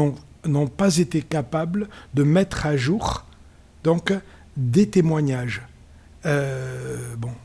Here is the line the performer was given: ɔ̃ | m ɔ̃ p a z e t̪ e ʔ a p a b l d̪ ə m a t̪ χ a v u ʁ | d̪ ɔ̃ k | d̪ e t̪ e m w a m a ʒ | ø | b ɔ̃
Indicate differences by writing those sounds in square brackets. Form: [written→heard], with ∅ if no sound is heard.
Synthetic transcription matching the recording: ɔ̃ | [m→n] ɔ̃ p a z e t̪ e [ʔ→k] a p a b l d̪ ə m [a→ɛ] t̪ χ a [v→ʒ] u ʁ | d̪ ɔ̃ k | d̪ e t̪ e m w a [m→ɲ] a ʒ | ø | b ɔ̃